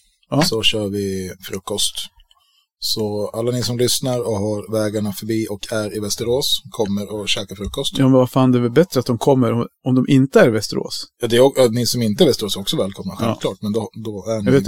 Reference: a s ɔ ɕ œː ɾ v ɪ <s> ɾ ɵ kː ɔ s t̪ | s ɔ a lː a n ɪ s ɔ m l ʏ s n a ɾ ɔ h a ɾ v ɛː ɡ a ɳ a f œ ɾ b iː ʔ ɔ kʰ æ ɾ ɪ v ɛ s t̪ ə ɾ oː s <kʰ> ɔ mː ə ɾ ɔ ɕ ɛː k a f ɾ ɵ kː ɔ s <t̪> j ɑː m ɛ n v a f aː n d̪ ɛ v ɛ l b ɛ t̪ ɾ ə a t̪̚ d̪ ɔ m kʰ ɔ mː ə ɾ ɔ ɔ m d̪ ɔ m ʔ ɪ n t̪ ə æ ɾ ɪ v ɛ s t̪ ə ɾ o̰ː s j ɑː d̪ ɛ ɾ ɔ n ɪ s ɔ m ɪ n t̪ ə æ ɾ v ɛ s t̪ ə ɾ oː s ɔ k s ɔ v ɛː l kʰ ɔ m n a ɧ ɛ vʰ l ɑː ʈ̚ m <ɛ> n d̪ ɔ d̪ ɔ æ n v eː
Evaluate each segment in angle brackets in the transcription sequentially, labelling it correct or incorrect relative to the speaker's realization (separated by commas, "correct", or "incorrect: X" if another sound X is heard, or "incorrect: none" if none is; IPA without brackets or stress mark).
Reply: incorrect: f, correct, correct, correct